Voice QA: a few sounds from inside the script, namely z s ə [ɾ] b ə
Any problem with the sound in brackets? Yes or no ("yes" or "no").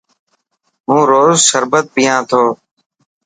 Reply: no